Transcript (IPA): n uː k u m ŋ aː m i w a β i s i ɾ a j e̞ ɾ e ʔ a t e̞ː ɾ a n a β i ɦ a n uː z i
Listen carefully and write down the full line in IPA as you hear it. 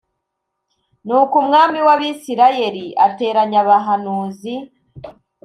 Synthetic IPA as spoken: n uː k u m ŋ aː m i w a β i s i ɾ a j e̞ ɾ i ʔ a t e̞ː ɾ a ɲ a β a ɦ a n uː z i